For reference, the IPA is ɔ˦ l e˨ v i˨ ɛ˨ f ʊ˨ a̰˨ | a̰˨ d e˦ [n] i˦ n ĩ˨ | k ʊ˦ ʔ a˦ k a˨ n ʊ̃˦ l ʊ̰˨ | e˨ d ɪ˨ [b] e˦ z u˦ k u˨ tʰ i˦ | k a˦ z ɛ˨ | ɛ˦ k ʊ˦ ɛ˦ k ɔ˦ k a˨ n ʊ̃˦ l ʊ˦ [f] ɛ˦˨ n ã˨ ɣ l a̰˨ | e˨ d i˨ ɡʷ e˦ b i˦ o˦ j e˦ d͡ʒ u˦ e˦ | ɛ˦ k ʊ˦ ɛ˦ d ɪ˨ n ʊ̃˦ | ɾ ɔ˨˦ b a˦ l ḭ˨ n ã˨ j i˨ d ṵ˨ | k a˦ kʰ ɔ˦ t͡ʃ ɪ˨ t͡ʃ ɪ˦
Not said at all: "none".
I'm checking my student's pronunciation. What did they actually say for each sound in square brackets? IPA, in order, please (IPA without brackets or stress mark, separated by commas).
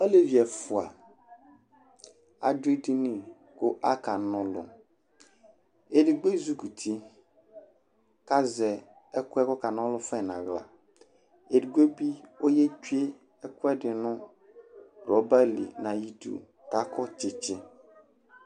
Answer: d, ɡ͡b, f